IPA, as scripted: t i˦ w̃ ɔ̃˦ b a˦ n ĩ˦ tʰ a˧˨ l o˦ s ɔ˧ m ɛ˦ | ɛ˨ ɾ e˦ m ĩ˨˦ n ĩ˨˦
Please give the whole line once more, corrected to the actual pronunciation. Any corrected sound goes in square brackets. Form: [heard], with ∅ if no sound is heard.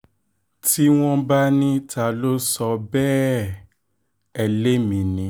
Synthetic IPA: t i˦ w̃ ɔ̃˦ b a˦ n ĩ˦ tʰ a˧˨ l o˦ s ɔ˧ [b] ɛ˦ | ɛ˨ [l] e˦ m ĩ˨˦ n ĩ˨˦